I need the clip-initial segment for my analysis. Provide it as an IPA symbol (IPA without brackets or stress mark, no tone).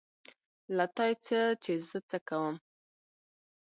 l